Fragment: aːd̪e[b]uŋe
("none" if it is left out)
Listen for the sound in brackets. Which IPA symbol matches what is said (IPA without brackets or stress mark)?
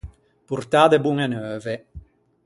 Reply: b